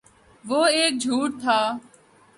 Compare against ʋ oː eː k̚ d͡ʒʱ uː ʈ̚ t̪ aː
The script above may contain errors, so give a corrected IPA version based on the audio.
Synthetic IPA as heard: ʋ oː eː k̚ d͡ʒʱ uː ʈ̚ t̪ʰ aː